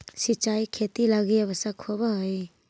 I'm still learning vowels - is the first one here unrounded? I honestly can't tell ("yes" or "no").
yes